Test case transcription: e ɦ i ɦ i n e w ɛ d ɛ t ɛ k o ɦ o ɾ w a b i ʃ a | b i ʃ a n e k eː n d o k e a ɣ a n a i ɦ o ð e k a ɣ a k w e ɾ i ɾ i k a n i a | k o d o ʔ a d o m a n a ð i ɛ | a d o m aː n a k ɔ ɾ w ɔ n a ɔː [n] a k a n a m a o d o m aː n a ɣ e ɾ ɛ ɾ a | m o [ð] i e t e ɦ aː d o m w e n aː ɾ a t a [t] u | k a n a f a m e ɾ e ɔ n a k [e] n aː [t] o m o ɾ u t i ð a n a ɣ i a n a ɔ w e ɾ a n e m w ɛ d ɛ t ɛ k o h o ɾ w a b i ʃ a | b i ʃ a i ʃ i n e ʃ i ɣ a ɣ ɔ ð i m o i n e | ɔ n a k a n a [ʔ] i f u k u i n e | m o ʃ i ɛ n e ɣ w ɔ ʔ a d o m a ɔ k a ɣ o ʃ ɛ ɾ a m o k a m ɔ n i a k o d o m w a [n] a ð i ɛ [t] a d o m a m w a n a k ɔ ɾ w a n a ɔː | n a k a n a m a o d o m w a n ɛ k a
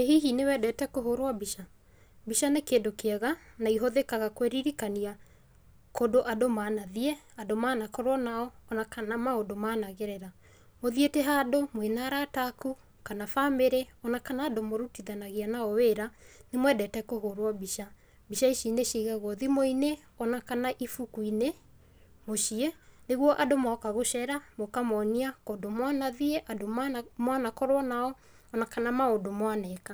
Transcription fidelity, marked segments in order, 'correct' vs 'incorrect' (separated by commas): correct, correct, incorrect, incorrect, incorrect, correct, correct, incorrect